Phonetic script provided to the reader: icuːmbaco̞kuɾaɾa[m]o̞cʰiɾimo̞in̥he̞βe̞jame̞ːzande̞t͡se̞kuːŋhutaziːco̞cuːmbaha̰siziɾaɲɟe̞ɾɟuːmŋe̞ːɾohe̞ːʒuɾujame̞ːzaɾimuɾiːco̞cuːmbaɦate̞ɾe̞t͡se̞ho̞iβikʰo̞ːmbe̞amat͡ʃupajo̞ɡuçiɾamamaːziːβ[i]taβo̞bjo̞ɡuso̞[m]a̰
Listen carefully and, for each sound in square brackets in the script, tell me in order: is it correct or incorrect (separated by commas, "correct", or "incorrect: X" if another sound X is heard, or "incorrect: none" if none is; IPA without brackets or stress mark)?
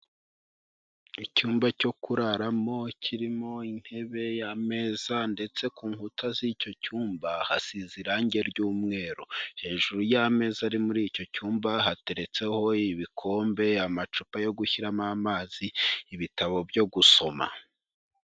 correct, correct, correct